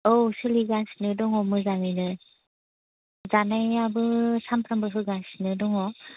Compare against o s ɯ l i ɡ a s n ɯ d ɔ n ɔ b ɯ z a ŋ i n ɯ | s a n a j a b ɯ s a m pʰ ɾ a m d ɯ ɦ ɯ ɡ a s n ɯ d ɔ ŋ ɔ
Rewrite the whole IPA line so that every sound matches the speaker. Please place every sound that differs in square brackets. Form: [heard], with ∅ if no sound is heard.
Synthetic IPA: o s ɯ l i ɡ a s n ɯ d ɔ [ŋ] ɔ [m] ɯ z a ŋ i n ɯ | [z] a n a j a b ɯ s a m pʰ ɾ a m [b] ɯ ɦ ɯ ɡ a s n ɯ d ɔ ŋ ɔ